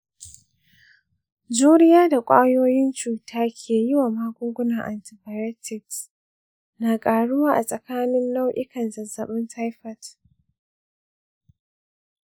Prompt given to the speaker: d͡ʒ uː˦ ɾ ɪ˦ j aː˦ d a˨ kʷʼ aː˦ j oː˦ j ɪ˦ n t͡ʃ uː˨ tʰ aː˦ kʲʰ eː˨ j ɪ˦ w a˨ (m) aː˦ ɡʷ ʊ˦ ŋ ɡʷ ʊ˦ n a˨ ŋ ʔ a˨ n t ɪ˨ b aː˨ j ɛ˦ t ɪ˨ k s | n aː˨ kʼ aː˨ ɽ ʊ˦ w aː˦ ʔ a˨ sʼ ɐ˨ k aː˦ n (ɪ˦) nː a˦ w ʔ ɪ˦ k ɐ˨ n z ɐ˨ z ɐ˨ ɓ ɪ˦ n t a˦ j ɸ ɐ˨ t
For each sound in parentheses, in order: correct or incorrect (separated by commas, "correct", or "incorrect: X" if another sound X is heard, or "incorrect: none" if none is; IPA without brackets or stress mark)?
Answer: correct, correct